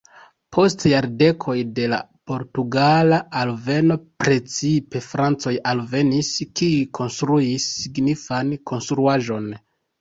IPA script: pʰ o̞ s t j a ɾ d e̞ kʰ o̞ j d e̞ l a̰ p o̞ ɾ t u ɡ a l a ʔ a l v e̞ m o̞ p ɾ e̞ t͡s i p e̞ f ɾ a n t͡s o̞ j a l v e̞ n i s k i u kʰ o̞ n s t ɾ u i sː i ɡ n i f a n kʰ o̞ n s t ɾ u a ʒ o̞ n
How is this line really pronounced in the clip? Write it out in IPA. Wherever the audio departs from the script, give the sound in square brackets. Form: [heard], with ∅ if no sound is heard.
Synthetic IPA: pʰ o̞ s t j a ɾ d e̞ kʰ o̞ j d e̞ l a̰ p o̞ ɾ t u ɡ a l a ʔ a l v e̞ [n] o̞ p ɾ e̞ t͡s i p e̞ f ɾ a n t͡s o̞ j a l v e̞ n i s k i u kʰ o̞ n s t ɾ u i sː i ɡ n i f a n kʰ o̞ n s t ɾ u a ʒ o̞ n